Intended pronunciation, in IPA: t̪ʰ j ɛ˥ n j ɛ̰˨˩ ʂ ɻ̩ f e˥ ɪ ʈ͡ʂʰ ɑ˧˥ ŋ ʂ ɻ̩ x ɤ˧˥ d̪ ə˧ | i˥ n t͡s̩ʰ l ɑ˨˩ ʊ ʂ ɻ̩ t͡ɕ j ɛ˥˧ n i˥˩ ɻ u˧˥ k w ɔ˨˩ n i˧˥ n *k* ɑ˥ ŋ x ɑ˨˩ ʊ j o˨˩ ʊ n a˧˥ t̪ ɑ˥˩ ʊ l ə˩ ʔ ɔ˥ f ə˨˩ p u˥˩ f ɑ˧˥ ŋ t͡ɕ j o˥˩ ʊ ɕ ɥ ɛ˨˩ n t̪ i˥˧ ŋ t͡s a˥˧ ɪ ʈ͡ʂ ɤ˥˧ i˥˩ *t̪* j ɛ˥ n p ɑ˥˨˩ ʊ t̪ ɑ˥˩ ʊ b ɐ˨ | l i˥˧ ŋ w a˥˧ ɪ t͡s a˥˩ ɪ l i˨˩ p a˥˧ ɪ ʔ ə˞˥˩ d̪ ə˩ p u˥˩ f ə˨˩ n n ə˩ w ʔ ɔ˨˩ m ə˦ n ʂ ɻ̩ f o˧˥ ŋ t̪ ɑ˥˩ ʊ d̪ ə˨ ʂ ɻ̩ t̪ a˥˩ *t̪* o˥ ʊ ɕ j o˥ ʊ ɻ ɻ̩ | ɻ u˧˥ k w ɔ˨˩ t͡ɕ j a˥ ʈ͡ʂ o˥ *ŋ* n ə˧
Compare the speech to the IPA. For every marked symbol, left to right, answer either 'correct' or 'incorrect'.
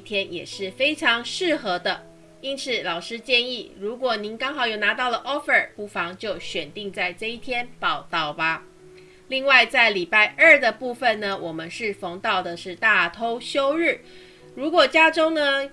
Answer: correct, incorrect: t̪ʰ, incorrect: t̪ʰ, correct

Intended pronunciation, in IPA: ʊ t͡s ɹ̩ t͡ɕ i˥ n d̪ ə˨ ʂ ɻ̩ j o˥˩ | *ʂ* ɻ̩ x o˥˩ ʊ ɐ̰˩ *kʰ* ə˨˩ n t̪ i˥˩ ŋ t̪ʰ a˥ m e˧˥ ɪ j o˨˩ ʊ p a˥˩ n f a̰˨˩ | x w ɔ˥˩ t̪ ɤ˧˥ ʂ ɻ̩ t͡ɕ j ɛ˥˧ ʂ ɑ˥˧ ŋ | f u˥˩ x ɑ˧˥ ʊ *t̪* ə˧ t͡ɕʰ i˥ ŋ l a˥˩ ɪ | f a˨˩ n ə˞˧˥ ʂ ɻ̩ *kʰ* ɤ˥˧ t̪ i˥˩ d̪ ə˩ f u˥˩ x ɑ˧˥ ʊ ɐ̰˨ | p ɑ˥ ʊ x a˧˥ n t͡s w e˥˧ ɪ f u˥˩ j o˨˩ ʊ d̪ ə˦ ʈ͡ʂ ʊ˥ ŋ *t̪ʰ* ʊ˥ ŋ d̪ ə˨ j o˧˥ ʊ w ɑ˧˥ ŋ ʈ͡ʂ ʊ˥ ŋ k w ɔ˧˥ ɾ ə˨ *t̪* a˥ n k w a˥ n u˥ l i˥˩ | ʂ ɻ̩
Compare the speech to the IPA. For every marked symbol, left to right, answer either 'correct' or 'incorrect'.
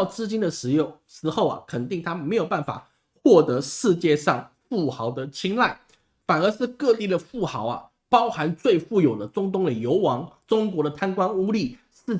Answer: correct, correct, incorrect: d̪, incorrect: k, incorrect: t̪, incorrect: t̪ʰ

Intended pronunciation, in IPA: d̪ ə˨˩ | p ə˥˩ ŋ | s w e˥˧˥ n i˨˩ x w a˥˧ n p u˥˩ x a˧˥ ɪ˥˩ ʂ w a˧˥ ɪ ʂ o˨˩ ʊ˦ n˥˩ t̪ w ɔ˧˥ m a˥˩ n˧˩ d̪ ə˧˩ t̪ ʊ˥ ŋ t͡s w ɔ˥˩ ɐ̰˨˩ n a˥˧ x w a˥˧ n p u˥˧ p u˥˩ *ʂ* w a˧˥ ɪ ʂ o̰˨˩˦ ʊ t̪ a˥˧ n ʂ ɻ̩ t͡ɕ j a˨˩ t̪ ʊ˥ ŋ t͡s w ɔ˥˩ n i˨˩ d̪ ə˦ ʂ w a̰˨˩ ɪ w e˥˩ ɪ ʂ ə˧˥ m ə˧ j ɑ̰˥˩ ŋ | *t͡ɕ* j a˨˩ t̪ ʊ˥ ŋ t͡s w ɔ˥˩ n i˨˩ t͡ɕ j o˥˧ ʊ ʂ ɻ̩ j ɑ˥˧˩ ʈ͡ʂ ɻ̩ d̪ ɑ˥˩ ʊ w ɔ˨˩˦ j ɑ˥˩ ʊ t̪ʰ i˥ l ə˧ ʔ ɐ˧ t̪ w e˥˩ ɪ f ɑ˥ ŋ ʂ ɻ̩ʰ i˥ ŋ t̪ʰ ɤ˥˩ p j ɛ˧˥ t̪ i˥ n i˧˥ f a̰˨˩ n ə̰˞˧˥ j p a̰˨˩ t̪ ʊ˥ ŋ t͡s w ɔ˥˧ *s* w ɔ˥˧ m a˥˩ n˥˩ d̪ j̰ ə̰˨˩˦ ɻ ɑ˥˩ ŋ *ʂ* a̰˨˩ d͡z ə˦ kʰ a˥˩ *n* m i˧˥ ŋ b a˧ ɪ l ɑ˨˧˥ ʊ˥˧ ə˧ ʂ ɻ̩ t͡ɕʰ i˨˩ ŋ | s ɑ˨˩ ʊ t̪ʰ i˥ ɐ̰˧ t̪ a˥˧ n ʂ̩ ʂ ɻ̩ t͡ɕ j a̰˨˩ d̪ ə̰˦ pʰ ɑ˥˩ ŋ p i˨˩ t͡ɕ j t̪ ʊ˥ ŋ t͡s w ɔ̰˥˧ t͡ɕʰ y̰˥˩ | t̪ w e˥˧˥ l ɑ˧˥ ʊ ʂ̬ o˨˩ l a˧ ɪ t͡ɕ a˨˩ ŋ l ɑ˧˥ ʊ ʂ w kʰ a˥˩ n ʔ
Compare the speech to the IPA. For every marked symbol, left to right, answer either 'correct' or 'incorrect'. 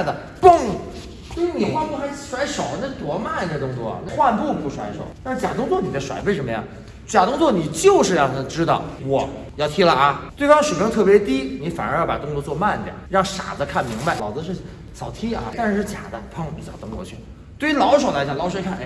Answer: correct, correct, incorrect: t͡s, correct, correct

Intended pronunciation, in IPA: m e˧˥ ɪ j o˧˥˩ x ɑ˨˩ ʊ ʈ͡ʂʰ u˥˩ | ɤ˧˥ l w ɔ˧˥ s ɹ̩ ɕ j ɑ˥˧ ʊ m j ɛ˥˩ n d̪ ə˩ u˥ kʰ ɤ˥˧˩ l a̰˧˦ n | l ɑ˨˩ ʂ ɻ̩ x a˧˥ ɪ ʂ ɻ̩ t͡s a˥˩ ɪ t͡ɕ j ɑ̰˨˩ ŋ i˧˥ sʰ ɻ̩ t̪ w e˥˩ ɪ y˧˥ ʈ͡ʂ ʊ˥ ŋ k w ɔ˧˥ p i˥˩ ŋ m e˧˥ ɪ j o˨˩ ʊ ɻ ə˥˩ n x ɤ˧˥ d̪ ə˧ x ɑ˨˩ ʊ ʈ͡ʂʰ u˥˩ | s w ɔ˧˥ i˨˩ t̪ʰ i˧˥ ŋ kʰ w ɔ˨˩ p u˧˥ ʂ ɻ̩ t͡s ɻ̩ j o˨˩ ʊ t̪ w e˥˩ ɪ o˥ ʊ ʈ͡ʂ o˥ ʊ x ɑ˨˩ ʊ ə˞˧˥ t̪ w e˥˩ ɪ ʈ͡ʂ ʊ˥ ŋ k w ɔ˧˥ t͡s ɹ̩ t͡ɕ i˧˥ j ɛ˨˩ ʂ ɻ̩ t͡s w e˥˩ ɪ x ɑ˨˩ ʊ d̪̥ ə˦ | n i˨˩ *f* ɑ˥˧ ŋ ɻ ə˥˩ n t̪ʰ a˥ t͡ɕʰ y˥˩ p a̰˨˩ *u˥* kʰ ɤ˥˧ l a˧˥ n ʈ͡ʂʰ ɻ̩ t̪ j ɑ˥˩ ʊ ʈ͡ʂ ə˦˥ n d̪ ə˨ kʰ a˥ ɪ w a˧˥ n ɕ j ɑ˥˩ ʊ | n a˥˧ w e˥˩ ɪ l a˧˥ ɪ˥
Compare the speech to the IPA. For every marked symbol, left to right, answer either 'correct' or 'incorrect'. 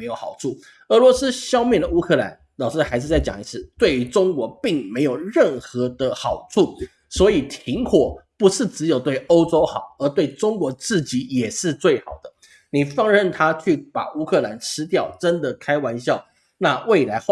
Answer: correct, correct

